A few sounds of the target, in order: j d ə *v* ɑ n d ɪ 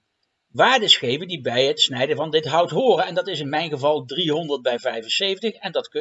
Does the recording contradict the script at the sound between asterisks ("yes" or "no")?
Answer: no